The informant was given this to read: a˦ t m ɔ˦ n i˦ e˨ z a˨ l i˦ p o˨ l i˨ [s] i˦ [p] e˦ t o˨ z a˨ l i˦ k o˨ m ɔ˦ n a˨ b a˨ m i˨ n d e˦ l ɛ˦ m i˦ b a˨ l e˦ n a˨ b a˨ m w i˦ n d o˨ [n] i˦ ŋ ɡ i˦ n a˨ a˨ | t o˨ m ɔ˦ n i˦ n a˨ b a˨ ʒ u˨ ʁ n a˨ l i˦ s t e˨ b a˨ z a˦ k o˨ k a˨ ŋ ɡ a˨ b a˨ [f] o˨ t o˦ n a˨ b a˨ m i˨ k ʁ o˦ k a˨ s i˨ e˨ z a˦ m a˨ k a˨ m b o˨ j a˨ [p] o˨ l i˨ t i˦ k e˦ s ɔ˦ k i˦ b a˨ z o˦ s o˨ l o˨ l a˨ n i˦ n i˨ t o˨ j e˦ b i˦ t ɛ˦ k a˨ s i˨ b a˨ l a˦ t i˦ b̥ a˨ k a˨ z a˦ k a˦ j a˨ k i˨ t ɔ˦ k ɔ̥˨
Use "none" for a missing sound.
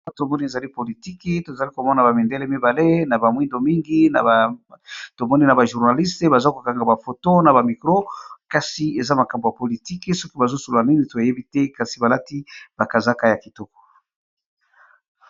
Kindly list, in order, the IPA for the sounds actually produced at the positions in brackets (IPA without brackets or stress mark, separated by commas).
t, k, m, f, p